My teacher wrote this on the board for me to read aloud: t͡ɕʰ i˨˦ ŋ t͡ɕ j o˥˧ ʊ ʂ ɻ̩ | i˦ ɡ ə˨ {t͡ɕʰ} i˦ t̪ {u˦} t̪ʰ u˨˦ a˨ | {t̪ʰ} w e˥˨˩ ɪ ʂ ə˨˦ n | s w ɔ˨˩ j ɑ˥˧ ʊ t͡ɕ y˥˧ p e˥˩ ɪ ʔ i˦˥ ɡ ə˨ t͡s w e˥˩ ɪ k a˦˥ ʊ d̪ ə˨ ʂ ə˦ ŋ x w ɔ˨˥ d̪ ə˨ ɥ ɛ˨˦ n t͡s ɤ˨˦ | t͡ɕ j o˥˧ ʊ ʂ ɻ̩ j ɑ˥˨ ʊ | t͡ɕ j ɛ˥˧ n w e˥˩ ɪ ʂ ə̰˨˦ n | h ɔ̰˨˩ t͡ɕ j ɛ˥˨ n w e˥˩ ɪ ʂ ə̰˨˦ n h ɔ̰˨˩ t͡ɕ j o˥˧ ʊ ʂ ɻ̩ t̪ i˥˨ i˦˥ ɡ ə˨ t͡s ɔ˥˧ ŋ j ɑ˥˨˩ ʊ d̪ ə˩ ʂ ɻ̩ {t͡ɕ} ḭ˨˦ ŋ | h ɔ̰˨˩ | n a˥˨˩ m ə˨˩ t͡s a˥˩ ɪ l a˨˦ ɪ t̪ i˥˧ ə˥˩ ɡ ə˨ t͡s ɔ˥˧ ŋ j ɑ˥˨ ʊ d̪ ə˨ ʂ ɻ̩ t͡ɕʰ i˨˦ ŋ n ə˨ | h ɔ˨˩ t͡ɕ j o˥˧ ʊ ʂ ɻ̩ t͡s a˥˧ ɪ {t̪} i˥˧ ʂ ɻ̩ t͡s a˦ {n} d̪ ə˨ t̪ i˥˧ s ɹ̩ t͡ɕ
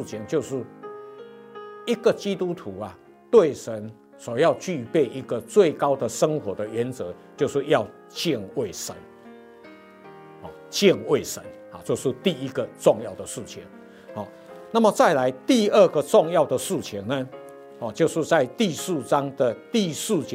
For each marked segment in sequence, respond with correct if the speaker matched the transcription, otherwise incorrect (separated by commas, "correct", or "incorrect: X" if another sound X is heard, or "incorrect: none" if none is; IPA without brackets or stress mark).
incorrect: t͡ɕ, correct, incorrect: t̪, incorrect: t͡ɕʰ, correct, incorrect: ŋ